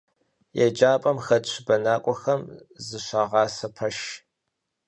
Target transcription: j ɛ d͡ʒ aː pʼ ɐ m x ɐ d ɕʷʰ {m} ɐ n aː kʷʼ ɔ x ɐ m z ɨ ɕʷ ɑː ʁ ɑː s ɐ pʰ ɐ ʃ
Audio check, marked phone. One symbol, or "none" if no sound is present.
b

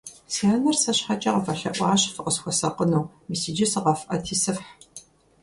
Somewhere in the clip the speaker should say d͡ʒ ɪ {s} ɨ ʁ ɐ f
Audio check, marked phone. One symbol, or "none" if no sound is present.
s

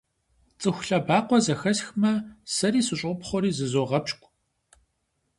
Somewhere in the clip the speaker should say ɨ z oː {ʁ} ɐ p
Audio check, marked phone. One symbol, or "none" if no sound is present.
ʁ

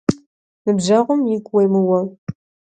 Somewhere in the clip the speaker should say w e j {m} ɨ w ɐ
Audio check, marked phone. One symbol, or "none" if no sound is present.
m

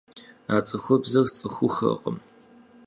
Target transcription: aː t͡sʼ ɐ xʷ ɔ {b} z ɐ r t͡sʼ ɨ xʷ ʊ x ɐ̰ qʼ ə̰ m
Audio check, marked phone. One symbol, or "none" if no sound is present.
b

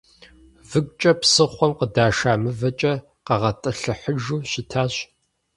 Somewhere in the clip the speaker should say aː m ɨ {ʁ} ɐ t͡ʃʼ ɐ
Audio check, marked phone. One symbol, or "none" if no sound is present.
v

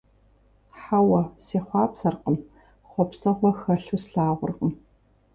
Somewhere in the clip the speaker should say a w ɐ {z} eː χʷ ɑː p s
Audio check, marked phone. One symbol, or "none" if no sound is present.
s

